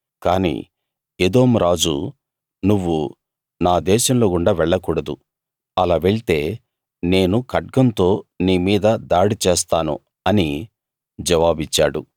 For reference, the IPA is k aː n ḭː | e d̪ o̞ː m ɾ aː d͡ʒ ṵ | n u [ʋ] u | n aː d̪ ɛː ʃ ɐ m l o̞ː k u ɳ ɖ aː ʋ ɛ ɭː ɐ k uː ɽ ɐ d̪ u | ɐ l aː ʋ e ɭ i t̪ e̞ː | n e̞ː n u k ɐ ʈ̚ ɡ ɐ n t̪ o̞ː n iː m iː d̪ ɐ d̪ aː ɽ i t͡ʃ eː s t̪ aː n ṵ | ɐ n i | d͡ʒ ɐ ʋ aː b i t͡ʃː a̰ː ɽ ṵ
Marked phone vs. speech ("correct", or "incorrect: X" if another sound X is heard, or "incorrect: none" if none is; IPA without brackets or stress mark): incorrect: ʋː